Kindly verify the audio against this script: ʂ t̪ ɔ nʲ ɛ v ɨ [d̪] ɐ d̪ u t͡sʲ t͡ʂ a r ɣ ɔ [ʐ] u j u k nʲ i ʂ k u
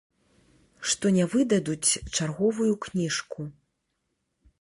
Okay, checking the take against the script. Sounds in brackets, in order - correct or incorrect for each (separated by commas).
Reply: correct, incorrect